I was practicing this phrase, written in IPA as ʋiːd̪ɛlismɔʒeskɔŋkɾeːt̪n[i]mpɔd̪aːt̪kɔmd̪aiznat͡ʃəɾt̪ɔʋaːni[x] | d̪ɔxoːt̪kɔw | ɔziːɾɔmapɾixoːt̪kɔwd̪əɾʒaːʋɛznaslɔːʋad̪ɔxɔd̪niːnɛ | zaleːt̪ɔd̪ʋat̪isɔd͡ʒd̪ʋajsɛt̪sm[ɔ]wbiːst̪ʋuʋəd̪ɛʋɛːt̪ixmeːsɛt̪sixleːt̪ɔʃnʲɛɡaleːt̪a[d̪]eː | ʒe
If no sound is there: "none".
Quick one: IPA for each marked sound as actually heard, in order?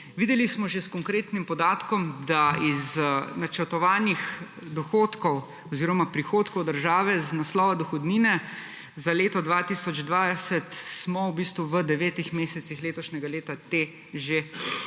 i, x, ɔ, t̪

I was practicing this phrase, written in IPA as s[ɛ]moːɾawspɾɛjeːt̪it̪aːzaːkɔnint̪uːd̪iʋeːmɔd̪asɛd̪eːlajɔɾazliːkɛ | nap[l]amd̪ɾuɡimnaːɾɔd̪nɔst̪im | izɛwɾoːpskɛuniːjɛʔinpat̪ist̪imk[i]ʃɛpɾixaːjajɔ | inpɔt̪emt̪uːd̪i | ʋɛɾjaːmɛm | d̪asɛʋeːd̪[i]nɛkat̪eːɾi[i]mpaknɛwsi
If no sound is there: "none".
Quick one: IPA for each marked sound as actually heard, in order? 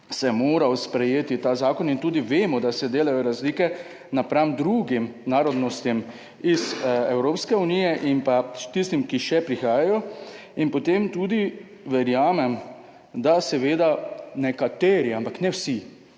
ɛ, ɾ, i, a, a

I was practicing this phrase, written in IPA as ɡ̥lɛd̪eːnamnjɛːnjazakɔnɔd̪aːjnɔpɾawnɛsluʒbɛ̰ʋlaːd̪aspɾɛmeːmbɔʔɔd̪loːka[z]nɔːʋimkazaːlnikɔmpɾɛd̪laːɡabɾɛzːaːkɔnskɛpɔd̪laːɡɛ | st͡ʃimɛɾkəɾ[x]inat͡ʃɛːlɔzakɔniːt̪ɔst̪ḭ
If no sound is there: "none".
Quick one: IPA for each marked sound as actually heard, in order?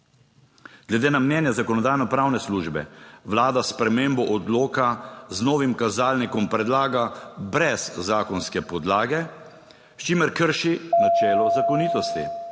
z, ʃ

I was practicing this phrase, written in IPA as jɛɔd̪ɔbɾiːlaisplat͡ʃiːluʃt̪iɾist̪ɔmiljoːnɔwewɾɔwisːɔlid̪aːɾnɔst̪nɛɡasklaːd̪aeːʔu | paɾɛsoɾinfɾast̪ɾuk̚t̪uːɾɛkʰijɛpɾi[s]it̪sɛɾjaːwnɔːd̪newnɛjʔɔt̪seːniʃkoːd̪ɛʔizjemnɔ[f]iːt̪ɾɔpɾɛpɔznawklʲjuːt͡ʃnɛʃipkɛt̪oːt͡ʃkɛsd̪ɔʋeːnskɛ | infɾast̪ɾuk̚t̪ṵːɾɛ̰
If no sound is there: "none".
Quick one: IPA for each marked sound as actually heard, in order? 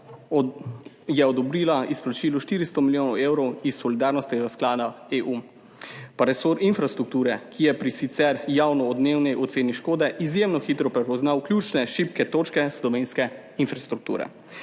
s, x

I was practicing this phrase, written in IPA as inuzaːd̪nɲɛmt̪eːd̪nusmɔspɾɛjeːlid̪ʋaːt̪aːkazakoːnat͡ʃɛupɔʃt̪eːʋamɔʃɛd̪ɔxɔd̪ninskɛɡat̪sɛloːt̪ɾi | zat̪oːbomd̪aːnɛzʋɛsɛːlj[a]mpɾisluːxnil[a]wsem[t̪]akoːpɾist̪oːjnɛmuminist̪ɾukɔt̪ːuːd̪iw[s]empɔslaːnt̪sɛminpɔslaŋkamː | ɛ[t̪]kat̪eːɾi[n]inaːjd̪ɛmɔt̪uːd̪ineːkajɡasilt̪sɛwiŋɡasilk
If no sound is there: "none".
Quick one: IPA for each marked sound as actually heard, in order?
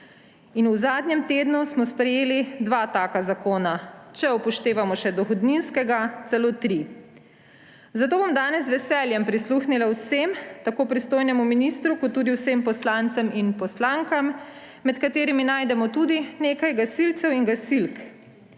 ɛ, a, t̪, s, t̪, m

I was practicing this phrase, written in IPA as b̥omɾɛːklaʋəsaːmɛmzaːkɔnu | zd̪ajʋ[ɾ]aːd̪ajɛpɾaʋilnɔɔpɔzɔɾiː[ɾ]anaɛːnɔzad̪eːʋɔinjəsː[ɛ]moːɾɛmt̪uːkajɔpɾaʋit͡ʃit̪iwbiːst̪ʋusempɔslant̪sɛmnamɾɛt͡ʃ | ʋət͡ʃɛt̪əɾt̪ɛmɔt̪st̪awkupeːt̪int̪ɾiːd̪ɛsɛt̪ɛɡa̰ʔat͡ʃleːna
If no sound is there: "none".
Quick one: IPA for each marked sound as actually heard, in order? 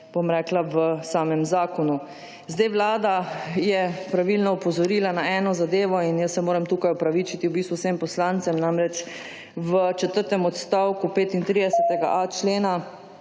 l, l, ɛ

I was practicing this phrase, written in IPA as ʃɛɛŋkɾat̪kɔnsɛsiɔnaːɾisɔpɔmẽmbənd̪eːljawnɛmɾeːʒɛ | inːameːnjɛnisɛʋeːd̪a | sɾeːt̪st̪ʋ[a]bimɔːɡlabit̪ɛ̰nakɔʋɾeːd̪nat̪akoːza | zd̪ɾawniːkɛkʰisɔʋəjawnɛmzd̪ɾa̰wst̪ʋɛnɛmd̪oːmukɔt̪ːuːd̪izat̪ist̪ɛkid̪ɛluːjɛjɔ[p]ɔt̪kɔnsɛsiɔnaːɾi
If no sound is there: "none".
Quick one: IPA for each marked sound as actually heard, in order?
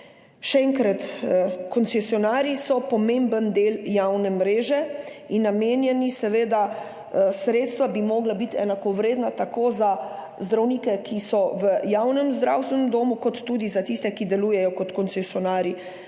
a, k

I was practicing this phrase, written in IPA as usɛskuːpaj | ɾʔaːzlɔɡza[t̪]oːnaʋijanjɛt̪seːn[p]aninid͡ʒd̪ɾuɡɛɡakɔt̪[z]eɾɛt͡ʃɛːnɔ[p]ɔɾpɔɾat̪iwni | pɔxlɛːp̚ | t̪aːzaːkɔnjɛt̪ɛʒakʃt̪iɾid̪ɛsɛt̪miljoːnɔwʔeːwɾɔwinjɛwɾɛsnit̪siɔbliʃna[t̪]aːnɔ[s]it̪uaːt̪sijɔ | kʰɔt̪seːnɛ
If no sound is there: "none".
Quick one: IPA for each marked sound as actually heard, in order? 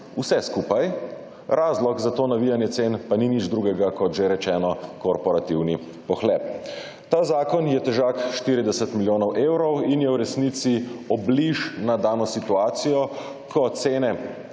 t̪, p, ʒ, k, d̪, s

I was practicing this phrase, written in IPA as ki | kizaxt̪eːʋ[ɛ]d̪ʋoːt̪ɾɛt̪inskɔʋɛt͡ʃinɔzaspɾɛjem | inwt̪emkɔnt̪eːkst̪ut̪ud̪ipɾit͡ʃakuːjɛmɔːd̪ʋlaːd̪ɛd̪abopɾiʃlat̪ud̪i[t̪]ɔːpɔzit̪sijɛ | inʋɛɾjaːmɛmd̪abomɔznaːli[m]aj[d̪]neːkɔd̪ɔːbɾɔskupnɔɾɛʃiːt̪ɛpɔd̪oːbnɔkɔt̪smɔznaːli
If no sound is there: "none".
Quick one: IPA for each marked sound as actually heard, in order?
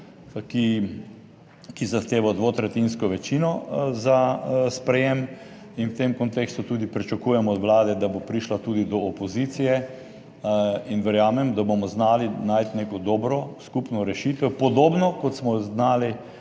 a, d̪, n, t̪

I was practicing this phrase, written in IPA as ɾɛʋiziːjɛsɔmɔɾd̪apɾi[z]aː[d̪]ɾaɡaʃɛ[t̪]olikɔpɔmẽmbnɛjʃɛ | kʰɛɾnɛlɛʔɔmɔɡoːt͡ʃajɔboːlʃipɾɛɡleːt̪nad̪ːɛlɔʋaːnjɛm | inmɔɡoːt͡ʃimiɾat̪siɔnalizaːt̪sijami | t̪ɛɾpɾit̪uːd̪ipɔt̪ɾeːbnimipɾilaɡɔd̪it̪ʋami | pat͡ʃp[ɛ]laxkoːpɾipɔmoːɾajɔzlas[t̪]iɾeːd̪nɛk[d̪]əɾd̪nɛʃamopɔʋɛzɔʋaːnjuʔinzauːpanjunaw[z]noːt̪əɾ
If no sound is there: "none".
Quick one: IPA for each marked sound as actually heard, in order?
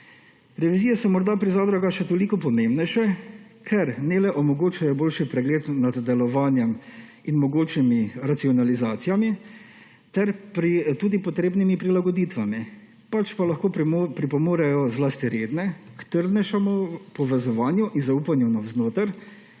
z, d̪, t̪, a, t̪, t̪, z

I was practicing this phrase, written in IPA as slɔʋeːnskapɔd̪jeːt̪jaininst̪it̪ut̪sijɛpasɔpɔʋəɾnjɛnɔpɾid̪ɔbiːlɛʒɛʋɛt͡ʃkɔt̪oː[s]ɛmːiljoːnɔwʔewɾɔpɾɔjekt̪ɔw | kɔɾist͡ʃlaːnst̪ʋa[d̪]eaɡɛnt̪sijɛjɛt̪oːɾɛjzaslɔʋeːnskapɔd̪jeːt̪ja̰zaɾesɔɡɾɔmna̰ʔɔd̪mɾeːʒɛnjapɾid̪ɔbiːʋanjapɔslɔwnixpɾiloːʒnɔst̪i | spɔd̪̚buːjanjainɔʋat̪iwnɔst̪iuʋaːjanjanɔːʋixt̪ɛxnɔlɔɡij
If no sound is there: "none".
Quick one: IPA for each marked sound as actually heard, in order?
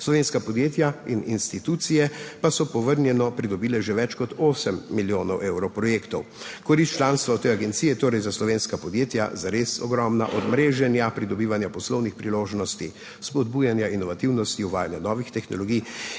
s, t̪

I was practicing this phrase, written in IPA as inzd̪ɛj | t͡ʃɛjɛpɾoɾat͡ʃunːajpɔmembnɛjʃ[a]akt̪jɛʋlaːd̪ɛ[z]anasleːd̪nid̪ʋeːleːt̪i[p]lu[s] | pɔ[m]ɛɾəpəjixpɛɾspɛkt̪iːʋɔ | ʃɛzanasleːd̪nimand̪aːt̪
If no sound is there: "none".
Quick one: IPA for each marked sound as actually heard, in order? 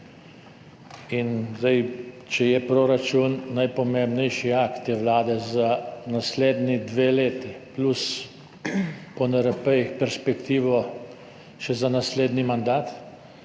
i, z, p, s, n

